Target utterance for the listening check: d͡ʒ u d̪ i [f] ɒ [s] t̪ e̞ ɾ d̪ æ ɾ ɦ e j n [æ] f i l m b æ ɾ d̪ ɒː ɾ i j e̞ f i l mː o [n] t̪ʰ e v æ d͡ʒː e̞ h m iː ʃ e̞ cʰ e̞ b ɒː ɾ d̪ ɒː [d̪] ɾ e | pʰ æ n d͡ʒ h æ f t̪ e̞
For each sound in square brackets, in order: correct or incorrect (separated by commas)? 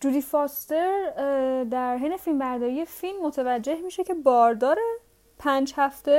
correct, correct, incorrect, incorrect, incorrect